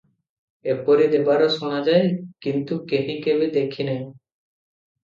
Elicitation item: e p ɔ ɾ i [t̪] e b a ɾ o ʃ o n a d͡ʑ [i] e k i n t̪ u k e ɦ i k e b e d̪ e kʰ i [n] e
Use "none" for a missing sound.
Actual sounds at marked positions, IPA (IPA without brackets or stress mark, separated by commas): d̪, a, n